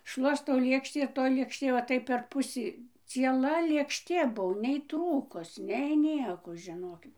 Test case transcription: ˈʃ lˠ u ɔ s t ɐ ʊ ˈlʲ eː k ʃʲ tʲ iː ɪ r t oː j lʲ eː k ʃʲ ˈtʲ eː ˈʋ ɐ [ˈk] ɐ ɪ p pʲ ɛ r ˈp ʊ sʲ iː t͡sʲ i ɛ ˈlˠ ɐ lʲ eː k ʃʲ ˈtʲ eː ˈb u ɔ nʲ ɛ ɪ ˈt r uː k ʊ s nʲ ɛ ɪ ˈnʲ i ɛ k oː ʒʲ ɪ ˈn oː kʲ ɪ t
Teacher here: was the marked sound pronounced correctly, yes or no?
no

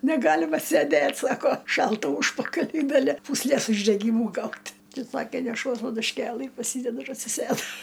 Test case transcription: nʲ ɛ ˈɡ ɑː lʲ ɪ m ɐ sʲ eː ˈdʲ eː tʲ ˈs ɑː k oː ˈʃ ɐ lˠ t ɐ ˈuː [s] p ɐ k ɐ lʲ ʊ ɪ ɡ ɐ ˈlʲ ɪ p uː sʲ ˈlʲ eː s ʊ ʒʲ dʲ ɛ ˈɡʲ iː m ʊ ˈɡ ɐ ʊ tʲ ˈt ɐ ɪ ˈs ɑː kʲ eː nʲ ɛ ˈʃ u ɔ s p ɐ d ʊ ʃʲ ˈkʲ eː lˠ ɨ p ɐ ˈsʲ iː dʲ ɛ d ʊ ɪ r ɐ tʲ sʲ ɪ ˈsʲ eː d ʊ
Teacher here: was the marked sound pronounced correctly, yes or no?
no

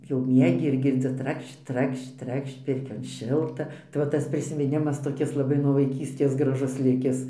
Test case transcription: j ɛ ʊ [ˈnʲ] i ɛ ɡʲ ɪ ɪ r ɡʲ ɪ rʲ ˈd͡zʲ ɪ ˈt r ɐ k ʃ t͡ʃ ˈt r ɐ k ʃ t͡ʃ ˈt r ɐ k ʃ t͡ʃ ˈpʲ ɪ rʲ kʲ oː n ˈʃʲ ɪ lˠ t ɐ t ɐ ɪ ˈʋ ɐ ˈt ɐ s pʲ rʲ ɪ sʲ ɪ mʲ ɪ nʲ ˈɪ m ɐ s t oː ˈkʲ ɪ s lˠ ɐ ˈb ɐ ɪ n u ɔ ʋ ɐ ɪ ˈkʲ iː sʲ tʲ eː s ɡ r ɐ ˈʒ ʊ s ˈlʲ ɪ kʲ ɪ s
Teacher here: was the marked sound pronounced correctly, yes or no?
no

